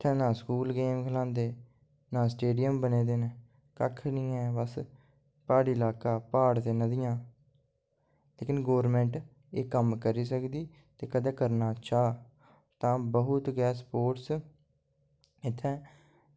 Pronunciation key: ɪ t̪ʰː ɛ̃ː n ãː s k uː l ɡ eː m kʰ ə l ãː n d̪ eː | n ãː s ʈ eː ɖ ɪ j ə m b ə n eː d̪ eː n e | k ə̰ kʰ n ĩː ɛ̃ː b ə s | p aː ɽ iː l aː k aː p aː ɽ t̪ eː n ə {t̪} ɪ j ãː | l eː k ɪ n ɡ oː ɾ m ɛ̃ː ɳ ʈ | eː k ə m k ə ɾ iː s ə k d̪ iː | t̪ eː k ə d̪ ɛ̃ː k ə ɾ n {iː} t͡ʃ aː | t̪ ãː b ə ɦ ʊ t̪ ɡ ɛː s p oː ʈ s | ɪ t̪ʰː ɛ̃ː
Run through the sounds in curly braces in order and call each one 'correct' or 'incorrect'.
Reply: incorrect: d̪, incorrect: aː

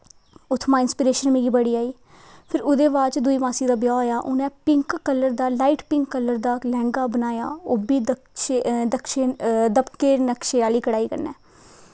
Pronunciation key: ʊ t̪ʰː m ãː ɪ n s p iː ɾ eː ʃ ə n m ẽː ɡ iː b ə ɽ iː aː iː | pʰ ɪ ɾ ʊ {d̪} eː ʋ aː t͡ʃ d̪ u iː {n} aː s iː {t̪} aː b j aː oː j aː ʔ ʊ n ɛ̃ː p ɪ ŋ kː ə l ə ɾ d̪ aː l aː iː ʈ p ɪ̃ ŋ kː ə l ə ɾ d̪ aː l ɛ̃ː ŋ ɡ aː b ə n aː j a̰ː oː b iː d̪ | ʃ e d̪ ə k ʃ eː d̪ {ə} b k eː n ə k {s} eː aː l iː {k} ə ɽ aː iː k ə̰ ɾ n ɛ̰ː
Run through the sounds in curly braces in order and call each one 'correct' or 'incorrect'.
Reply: correct, incorrect: m, incorrect: d̪, correct, incorrect: ʃ, correct

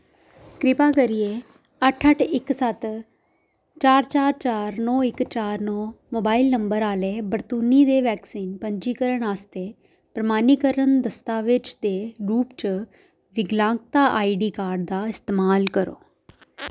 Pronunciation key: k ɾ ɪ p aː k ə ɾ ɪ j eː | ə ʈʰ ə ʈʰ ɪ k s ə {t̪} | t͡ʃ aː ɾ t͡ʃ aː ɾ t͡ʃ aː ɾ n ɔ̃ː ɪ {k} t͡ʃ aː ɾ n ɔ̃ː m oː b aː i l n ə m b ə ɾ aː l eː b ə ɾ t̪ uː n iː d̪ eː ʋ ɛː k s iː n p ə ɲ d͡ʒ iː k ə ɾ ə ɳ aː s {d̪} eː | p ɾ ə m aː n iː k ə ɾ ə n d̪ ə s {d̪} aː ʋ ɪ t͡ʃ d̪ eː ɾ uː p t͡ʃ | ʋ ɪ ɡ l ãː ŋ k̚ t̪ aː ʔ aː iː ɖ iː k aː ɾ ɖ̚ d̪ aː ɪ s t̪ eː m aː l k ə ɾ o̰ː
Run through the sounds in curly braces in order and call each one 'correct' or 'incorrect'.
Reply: correct, correct, incorrect: t̪, incorrect: t̪

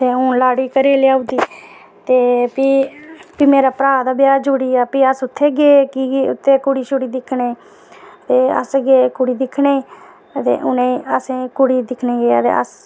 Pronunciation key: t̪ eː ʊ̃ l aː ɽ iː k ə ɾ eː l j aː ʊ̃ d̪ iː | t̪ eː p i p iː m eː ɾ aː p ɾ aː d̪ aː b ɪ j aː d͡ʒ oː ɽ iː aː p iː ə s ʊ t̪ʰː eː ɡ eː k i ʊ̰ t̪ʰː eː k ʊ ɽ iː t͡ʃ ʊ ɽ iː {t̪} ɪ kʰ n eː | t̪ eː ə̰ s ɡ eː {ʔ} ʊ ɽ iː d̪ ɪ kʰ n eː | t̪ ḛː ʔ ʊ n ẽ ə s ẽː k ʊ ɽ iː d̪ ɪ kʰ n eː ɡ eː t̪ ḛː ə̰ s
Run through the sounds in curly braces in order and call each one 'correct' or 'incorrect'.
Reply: incorrect: d̪, incorrect: k

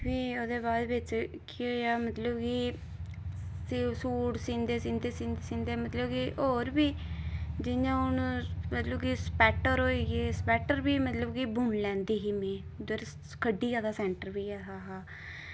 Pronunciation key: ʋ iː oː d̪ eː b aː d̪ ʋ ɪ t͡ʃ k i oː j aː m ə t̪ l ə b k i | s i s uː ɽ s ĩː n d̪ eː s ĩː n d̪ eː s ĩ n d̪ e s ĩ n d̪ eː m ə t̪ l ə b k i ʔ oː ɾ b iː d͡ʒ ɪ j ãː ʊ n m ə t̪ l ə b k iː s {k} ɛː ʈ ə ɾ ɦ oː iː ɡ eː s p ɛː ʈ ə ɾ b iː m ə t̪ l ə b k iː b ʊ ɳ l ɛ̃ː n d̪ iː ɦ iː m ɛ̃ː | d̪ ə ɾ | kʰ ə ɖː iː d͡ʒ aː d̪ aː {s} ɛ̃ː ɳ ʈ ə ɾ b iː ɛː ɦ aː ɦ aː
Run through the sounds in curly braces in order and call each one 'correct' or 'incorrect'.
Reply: incorrect: p, correct

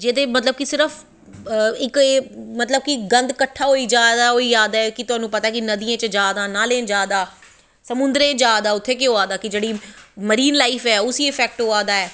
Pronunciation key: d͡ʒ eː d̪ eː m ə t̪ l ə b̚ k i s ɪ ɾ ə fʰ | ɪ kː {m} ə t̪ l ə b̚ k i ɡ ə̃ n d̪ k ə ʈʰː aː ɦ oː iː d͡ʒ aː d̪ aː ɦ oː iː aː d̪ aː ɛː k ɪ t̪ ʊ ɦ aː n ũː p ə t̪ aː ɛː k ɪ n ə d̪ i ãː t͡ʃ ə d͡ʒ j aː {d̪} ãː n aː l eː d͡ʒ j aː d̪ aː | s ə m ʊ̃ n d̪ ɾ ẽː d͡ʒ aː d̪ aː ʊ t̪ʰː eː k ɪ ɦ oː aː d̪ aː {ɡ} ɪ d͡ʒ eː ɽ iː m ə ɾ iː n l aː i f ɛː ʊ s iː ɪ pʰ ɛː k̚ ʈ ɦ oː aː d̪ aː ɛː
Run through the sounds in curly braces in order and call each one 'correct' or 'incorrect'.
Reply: correct, correct, incorrect: k

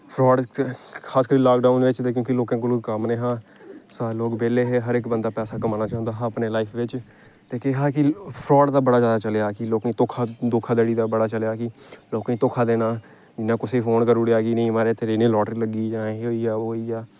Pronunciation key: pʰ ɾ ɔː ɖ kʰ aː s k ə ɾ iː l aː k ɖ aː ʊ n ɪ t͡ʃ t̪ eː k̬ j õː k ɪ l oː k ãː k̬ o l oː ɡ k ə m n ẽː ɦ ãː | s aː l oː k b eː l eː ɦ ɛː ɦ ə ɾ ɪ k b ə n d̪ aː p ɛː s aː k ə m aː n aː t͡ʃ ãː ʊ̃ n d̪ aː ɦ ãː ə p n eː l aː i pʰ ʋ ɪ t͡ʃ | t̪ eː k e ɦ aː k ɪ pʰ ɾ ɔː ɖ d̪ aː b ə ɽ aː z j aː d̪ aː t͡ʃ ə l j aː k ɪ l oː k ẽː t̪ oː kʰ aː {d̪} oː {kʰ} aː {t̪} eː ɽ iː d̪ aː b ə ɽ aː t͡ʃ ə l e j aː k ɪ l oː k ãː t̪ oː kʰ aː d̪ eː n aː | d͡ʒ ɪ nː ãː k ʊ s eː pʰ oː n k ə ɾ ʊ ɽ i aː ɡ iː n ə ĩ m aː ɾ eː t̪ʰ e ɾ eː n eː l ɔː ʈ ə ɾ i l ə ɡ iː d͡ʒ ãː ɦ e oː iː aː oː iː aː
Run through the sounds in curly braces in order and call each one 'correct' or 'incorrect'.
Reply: correct, correct, incorrect: d̪

